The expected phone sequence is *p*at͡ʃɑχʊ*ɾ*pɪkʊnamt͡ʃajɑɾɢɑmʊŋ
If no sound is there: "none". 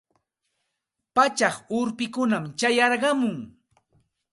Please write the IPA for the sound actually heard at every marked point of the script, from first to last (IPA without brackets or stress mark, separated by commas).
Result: p, ɾ